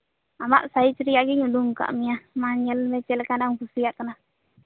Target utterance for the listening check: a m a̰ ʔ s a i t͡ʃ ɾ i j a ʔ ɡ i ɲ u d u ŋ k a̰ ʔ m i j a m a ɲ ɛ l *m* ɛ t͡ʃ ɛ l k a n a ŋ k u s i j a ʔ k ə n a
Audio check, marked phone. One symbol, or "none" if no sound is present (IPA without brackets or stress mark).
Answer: m